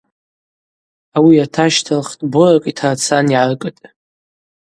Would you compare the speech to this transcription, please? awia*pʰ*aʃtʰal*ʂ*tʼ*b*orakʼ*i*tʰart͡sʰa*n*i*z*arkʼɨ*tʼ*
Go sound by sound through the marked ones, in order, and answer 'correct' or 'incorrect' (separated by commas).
incorrect, incorrect, correct, correct, correct, incorrect, correct